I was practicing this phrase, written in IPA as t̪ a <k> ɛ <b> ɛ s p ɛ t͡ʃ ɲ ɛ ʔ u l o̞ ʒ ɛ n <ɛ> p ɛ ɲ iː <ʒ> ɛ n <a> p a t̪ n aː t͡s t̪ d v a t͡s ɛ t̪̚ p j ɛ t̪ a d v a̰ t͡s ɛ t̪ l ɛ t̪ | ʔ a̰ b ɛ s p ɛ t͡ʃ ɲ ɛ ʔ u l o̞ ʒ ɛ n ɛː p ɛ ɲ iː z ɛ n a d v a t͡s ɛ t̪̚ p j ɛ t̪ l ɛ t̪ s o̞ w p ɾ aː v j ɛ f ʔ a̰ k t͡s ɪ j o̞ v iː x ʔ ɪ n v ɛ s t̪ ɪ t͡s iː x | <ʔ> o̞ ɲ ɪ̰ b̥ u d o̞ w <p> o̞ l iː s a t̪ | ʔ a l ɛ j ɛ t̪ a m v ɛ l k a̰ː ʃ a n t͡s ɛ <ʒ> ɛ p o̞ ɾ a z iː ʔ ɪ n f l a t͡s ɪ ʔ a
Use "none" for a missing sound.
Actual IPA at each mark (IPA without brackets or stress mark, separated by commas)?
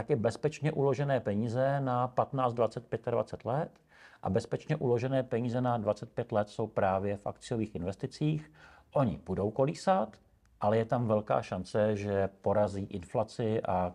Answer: k, b, ɛː, z, a, ʔ, k, ʒ